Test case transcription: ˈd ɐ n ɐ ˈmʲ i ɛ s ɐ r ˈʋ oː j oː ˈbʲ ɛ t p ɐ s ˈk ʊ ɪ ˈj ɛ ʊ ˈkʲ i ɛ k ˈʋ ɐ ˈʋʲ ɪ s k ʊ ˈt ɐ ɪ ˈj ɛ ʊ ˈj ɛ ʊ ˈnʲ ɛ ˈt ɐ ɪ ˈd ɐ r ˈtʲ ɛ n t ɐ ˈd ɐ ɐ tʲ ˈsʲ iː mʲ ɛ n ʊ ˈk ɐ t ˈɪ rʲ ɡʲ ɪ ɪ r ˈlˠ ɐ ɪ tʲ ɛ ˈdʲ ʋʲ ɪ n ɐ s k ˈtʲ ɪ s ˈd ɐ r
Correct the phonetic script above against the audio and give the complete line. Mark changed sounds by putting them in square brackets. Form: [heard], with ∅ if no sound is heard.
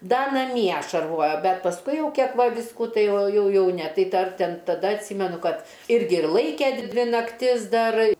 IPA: ˈd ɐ n ɐ ˈmʲ i ɛ [ʃ] ɐ r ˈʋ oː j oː ˈbʲ ɛ t p ɐ s ˈk ʊ ɪ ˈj ɛ ʊ ˈkʲ i ɛ k ˈʋ ɐ ˈʋʲ ɪ s k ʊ ˈt ɐ ɪ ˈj ɛ ʊ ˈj ɛ ʊ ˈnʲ ɛ ˈt ɐ ɪ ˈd ɐ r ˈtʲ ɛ n t ɐ ˈd ɐ ɐ tʲ ˈsʲ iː mʲ ɛ n ʊ ˈk ɐ t ˈɪ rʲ ɡʲ ɪ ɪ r ˈlˠ ɐ ɪ [kʲ] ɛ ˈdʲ ʋʲ ɪ n ɐ [∅] k ˈtʲ ɪ s ˈd ɐ r

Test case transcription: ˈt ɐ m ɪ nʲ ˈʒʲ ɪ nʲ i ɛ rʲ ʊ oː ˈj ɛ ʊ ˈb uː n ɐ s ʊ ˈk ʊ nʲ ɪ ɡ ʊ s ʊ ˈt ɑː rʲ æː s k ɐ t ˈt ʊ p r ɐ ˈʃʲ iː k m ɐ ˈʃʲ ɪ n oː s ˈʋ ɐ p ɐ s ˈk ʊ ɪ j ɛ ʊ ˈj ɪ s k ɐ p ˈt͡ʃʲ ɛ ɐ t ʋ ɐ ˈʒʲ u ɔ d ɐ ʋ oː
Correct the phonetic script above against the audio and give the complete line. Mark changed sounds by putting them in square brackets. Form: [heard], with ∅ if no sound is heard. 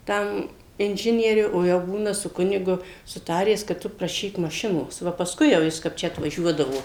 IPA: ˈt ɐ m ɪ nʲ ˈʒʲ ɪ nʲ i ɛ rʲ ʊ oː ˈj ɛ ʊ ˈb uː n ɐ s ʊ ˈk ʊ nʲ ɪ ɡ ʊ s ʊ ˈt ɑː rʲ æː s k ɐ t ˈt ʊ p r ɐ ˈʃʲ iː k m ɐ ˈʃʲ ɪ n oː s ˈʋ ɐ p ɐ s ˈk ʊ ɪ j ɛ ʊ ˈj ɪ s k ɐ p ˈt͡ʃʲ ɛ ɐ t ʋ ɐ ˈʒʲ u ɔ d ɐ ʋ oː

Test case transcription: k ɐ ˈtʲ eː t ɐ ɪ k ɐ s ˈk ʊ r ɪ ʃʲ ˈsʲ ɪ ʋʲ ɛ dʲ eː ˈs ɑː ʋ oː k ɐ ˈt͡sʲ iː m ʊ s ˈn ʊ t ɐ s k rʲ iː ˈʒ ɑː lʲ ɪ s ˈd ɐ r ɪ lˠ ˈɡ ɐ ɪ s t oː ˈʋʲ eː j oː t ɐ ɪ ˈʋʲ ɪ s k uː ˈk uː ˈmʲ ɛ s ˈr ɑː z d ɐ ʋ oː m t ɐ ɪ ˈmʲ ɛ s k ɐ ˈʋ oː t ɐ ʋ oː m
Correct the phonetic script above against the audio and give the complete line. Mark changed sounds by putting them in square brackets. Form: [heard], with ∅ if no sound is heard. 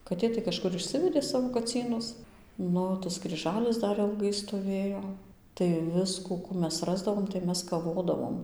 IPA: k ɐ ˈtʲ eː t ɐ ɪ k ɐ [ʃ] ˈk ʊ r ɪ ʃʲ ˈsʲ ɪ ʋʲ ɛ dʲ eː ˈs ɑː ʋ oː k ɐ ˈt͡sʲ iː [n] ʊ s ˈn ʊ t ɐ s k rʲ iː ˈʒ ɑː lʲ ɪ s ˈd ɐ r ɪ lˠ ˈɡ ɐ ɪ s t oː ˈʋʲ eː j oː t ɐ ɪ ˈʋʲ ɪ s k uː ˈk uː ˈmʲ ɛ s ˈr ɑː z d ɐ ʋ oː m t ɐ ɪ ˈmʲ ɛ s k ɐ ˈʋ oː [d] ɐ ʋ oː m

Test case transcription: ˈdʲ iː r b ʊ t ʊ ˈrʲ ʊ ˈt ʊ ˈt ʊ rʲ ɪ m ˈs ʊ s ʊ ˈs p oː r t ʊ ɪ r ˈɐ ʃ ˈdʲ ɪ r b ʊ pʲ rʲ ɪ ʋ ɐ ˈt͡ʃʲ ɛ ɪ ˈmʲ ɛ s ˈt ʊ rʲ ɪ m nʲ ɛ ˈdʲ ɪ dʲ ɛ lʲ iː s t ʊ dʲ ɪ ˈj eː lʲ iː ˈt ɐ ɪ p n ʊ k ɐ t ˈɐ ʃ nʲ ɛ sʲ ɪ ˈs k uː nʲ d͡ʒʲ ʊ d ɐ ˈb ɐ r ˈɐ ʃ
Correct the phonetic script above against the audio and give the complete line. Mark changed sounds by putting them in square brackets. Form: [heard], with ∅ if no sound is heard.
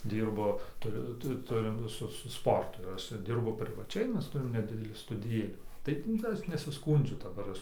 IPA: ˈdʲ iː r b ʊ t ʊ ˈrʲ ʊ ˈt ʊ ˈt ʊ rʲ ɪ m ˈs ʊ s ʊ ˈs p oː r t ʊ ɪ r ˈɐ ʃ ˈdʲ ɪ r b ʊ pʲ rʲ ɪ ʋ ɐ ˈt͡ʃʲ ɛ ɪ ˈmʲ ɛ s ˈt ʊ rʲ ɪ m nʲ ɛ ˈdʲ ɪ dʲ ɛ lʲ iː s t ʊ dʲ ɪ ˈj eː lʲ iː ˈt ɐ ɪ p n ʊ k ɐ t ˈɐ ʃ nʲ ɛ sʲ ɪ ˈs k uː nʲ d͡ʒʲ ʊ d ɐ ˈb ɐ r ˈɐ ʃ

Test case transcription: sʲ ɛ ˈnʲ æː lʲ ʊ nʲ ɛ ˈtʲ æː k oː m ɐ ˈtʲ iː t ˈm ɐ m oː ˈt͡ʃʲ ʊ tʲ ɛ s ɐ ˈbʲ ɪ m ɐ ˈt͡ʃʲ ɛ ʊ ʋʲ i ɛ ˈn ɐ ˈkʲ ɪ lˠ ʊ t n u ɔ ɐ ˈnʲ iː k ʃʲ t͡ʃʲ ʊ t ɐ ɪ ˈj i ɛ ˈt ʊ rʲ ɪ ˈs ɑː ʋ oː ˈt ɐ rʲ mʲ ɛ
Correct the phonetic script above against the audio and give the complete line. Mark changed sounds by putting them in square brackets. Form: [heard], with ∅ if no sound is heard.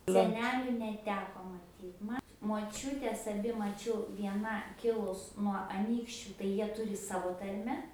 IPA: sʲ ɛ ˈnʲ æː lʲ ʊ nʲ ɛ ˈtʲ æː k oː m ɐ ˈtʲ iː t ˈm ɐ m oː ˈt͡ʃʲ ʊ tʲ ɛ s ɐ ˈbʲ ɪ m ɐ ˈt͡ʃʲ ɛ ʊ ʋʲ i ɛ ˈn ɐ ˈkʲ ɪ lˠ ʊ [s] n u ɔ ɐ ˈnʲ iː k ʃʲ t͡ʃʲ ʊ t ɐ ɪ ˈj i ɛ ˈt ʊ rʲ ɪ ˈs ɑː ʋ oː ˈt ɐ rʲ mʲ ɛ

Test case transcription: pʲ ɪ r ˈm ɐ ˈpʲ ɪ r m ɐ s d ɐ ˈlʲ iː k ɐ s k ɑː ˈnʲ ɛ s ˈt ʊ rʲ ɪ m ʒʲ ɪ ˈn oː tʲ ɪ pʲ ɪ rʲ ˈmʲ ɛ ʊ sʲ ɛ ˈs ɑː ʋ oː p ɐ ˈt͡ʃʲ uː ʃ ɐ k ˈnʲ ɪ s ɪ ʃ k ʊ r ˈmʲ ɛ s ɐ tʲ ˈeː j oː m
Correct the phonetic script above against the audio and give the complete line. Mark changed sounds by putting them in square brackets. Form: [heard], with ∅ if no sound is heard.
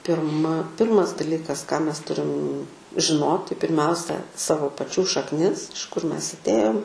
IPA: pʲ ɪ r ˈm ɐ ˈpʲ ɪ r m ɐ s d ɐ ˈlʲ iː k ɐ s k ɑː [ˈmʲ] ɛ s ˈt ʊ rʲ ɪ m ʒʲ ɪ ˈn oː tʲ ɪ pʲ ɪ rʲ ˈmʲ ɛ ʊ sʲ ɛ ˈs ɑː ʋ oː p ɐ ˈt͡ʃʲ uː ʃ ɐ k ˈnʲ ɪ s ɪ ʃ k ʊ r ˈmʲ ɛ s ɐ tʲ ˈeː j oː m

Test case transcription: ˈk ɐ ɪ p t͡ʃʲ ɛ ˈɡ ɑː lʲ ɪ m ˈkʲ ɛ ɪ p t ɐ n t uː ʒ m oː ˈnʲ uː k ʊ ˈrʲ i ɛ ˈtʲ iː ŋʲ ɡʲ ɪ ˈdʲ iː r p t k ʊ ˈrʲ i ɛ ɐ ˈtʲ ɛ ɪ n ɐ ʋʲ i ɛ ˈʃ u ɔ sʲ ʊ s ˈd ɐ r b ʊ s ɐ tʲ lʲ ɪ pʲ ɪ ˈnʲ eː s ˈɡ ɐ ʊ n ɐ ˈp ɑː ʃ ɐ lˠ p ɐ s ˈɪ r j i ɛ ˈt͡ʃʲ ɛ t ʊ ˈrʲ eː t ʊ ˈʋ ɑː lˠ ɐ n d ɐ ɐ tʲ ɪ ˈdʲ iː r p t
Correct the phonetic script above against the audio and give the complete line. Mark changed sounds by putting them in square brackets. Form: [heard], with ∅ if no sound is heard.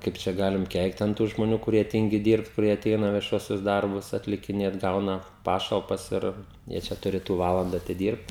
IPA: ˈk ɐ ɪ p t͡ʃʲ ɛ ˈɡ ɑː lʲ ɪ m ˈkʲ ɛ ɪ [k] t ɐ n t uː ʒ m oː ˈnʲ uː k ʊ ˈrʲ i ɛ ˈtʲ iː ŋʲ ɡʲ ɪ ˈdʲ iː r p t k ʊ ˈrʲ i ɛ ɐ ˈtʲ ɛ ɪ n ɐ ʋʲ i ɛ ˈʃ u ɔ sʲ ʊ s ˈd ɐ r b ʊ s ɐ tʲ lʲ ɪ [kʲ] ɪ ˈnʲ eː [t] ˈɡ ɐ ʊ n ɐ ˈp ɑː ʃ ɐ lˠ p ɐ s ˈɪ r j i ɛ ˈt͡ʃʲ ɛ t ʊ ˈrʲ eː t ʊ ˈʋ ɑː lˠ ɐ n d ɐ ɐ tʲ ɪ ˈdʲ iː r p t

